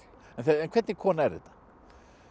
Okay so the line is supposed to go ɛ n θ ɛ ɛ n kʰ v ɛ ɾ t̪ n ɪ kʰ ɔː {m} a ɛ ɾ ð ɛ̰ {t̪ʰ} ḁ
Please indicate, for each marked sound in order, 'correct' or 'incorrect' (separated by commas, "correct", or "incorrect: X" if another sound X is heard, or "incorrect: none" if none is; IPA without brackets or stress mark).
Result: incorrect: n, incorrect: t̪